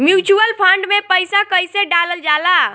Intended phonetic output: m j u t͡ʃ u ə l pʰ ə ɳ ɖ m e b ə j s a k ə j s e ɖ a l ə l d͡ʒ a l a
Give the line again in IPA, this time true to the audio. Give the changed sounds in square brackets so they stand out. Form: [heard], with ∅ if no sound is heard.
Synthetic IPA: m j u t͡ʃ u ə l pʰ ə ɳ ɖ m e [p] ə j s a k ə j s e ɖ a l ə l d͡ʒ a l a